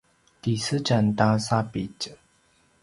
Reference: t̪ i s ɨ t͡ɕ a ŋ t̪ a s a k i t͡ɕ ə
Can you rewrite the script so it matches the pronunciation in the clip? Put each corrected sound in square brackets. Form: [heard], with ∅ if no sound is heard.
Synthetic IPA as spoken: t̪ i s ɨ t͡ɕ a [n] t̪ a s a [p] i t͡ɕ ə